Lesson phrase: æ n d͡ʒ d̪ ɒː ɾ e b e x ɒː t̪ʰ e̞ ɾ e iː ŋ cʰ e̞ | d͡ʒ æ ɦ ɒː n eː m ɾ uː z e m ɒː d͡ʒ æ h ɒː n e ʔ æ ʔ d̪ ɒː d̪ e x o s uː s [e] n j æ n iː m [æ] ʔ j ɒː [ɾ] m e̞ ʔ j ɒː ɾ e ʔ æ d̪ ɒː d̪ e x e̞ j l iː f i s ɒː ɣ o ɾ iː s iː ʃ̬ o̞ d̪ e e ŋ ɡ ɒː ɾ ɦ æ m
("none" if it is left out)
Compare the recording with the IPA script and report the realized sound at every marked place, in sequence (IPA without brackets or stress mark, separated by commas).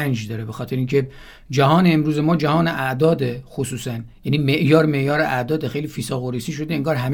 æ, e, ɾ